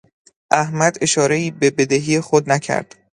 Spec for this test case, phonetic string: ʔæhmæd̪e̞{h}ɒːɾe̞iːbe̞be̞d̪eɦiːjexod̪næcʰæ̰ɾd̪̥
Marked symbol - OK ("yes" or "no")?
no